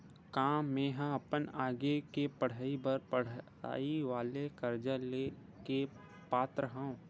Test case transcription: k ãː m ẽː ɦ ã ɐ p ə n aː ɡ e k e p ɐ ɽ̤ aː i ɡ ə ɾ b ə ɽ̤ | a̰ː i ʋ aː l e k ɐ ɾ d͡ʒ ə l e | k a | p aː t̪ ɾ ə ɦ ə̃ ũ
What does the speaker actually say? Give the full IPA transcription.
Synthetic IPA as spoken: k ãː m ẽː ɦ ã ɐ p ə n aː ɡ e k e p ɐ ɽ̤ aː i b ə ɾ p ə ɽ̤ | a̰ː i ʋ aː l e k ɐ ɾ d͡ʒ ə l e | k e | p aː t̪ ɾ ə ɦ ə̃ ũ